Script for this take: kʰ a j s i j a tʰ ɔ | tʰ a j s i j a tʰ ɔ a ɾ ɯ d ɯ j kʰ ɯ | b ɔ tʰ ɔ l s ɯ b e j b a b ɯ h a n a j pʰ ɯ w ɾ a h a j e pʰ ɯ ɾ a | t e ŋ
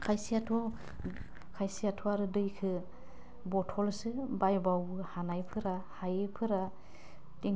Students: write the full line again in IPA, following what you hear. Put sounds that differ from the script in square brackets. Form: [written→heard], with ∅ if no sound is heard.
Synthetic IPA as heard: kʰ a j s i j a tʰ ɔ | [tʰ→kʰ] a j s i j a tʰ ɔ a ɾ ɯ d ɯ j kʰ ɯ | b ɔ tʰ ɔ l s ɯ b [e→a] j b a [b→w] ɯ h a n a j pʰ ɯ [w→∅] ɾ a h a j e pʰ ɯ ɾ a | t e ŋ